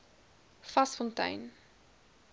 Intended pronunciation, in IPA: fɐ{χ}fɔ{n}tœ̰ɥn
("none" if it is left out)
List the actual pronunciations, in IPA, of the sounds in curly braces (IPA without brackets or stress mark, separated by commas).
s, n